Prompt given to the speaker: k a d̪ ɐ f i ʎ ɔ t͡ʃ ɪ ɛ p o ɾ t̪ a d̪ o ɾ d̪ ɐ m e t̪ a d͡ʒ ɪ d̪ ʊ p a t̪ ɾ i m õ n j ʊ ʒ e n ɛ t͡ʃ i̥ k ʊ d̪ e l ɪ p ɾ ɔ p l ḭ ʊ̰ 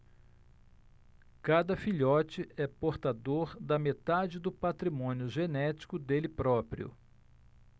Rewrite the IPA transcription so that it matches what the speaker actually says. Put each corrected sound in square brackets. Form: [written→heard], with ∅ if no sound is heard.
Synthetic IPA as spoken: k a d̪ ɐ f i ʎ ɔ t͡ʃ ɪ ɛ p o ɾ t̪ a d̪ o ɾ d̪ ɐ m e t̪ a d͡ʒ ɪ d̪ ʊ p a t̪ ɾ i m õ n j ʊ ʒ e n ɛ t͡ʃ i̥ k ʊ d̪ e l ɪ p ɾ ɔ p [l→ɾ] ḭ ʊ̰

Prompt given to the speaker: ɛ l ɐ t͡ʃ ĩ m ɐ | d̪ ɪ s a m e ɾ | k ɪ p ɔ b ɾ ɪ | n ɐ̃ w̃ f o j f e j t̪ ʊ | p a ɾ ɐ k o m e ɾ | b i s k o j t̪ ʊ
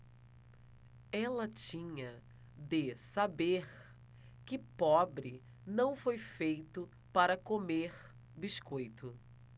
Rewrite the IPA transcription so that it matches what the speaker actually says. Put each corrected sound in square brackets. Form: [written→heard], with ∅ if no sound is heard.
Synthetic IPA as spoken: ɛ l ɐ t͡ʃ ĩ [m→ɲ] ɐ | d̪ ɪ s a [m→b] e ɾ | k ɪ p ɔ b ɾ ɪ | n ɐ̃ w̃ f o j f e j t̪ ʊ | p a ɾ ɐ k o m e ɾ | b i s k o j t̪ ʊ

